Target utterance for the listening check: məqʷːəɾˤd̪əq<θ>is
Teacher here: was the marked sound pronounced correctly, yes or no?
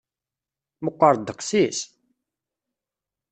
no